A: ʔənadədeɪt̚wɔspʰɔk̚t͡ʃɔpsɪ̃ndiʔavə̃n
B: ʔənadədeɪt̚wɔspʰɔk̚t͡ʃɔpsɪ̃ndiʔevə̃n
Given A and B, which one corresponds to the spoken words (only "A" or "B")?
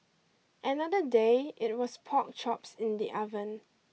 A